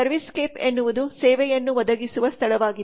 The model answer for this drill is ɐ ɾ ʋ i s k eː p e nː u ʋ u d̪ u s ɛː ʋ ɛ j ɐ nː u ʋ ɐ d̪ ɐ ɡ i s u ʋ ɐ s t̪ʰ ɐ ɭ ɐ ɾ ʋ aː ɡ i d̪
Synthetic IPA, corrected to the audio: ɐ ɾ ʋ i s k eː p e nː u ʋ u d̪ u s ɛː ʋ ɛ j ɐ nː u ʋ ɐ d̪ ɐ ɡ i s u ʋ ɐ s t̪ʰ ɐ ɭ ɐ ʋ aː ɡ i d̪